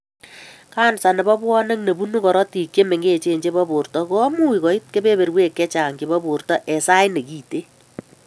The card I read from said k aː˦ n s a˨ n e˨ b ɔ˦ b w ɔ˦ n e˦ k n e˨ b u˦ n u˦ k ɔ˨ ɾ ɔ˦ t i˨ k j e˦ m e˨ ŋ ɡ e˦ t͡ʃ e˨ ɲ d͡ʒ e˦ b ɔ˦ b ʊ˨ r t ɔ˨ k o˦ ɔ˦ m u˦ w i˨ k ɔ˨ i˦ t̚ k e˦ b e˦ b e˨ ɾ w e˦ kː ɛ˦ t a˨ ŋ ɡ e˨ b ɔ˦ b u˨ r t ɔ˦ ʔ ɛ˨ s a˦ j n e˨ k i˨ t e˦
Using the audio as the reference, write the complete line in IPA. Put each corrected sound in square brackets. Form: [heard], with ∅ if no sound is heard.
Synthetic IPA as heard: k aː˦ n s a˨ n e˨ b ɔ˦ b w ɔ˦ n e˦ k n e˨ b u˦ n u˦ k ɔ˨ ɾ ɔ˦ t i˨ k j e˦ m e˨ ŋ ɡ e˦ t͡ʃ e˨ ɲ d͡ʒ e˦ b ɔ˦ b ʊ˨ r t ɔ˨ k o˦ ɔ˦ m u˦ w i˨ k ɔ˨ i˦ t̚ k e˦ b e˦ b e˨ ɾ w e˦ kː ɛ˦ [t͡ʃ] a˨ ŋ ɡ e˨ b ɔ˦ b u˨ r t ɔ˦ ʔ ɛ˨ s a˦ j n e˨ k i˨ t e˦

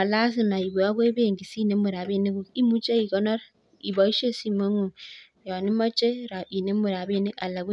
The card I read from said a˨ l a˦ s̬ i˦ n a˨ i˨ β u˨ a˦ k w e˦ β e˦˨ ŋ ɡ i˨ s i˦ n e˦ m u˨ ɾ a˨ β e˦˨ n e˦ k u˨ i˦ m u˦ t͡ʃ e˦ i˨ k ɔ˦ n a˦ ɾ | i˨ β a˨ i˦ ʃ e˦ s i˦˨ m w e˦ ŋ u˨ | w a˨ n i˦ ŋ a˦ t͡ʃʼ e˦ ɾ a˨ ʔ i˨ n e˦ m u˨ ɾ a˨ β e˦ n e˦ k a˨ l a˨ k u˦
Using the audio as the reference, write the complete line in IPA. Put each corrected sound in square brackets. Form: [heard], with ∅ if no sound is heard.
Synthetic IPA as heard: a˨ l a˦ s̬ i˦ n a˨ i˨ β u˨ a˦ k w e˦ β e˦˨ ŋ ɡ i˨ s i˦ n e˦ m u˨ ɾ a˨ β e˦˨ n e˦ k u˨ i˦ m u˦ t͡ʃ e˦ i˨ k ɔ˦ n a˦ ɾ | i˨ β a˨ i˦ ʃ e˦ s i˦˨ m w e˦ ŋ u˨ | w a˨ n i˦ [m] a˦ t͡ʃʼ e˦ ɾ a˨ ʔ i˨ n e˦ m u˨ ɾ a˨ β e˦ n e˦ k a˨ l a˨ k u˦

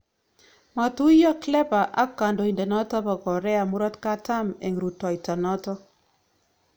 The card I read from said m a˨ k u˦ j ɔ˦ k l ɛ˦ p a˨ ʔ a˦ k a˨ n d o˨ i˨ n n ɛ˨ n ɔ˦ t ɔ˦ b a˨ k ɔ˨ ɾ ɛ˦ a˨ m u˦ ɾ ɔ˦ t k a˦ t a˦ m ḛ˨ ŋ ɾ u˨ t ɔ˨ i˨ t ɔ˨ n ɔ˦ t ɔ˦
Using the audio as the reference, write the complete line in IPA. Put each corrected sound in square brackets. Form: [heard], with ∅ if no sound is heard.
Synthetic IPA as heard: m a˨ [t] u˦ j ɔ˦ k l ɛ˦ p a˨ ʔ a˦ k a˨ n d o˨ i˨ n [d] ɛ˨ n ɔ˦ t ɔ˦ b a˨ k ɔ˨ ɾ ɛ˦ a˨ m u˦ ɾ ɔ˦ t k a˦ t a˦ m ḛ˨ ŋ ɾ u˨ t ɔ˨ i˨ t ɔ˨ n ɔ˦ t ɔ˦

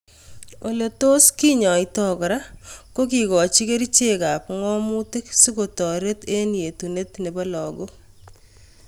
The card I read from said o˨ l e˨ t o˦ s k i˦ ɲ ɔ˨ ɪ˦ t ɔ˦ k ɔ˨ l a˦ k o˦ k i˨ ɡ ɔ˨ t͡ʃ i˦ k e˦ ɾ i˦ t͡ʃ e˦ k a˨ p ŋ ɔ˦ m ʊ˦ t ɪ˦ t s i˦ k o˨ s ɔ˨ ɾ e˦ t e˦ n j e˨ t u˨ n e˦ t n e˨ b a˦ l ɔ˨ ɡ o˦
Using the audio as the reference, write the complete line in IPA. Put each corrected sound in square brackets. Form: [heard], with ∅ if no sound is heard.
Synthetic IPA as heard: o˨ l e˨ t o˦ s k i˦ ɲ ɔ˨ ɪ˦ t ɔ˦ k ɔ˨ [ɾ] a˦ k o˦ k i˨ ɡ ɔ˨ t͡ʃ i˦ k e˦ ɾ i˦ t͡ʃ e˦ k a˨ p ŋ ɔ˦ m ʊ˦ t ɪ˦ [k] s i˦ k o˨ [t] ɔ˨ ɾ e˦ t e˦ n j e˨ t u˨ n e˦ t n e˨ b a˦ l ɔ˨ ɡ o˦

